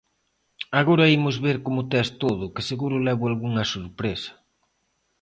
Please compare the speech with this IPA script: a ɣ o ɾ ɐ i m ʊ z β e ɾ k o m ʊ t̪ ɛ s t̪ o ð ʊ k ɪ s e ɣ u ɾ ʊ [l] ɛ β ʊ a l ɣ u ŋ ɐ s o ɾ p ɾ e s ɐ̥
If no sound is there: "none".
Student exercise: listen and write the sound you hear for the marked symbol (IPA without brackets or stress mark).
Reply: l